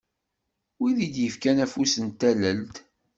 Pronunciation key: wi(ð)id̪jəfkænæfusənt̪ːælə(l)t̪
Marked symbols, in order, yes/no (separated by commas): yes, yes